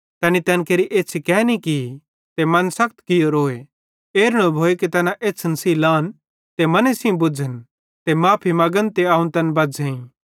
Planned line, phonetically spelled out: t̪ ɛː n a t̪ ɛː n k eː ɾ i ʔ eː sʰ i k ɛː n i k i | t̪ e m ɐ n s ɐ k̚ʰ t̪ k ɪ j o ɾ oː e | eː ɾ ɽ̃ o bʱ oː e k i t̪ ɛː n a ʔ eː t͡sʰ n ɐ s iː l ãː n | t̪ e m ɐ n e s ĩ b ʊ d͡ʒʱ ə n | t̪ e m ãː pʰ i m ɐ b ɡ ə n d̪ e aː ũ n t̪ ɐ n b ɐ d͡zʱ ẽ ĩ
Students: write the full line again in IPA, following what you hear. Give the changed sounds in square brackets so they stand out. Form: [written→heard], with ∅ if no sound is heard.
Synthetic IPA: t̪ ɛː n [a→i] t̪ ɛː n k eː ɾ i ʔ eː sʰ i k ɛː n i k i | t̪ e m ɐ n s ɐ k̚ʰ t̪ k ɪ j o ɾ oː e | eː ɾ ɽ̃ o bʱ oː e k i t̪ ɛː n a ʔ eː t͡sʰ n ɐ s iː l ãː n | t̪ e m ɐ n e s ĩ b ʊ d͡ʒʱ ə n | t̪ e m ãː pʰ i m ɐ [b→∅] ɡ ə n [d̪→t̪] e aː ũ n t̪ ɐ n b ɐ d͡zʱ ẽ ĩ